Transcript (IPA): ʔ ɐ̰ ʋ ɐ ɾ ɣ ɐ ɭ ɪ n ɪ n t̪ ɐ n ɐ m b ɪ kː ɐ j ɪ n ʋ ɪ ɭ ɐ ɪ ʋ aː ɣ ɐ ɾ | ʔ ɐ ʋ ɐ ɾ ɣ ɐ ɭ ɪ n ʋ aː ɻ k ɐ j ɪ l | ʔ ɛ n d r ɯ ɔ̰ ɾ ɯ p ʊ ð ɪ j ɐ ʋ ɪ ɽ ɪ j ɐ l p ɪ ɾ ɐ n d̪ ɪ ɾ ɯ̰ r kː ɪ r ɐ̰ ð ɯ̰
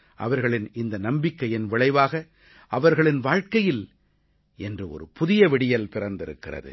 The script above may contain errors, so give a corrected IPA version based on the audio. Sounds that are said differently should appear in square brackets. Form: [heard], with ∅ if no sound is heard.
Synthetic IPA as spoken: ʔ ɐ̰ ʋ ɐ ɾ ɣ ɐ ɭ ɪ n ɪ n [d̪] ɐ n ɐ m b ɪ kː ɐ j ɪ n ʋ ɪ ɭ ɐ ɪ ʋ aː ɣ ɐ [∅] | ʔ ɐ ʋ ɐ ɾ ɣ ɐ ɭ ɪ n ʋ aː ɻ k ɐ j ɪ l | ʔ ɛ n d r ɯ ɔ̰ ɾ ɯ p ʊ ð ɪ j ɐ ʋ ɪ ɽ ɪ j ɐ l p ɪ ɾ ɐ n d̪ ɪ ɾ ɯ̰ [∅] kː ɪ r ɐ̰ ð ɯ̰